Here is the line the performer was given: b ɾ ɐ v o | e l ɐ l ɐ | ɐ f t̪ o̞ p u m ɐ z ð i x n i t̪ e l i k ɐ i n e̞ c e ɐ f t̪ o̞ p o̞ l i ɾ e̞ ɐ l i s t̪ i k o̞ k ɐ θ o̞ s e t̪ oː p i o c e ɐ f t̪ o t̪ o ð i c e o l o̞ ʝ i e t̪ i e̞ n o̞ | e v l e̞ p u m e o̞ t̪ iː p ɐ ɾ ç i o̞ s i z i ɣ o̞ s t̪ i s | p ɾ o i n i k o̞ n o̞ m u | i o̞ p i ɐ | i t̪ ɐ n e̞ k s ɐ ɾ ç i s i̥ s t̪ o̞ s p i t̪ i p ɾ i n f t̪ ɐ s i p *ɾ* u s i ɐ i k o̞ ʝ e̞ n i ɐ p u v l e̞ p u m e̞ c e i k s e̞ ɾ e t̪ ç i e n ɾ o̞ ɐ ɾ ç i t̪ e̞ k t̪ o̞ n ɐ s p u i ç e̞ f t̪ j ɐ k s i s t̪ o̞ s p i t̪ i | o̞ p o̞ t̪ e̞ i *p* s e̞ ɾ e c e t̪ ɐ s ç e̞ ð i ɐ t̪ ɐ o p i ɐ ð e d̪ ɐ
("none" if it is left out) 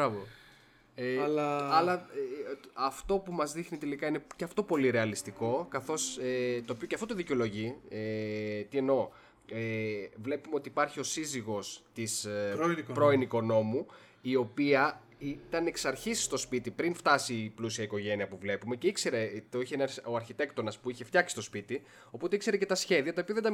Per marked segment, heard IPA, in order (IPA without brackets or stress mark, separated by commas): l, k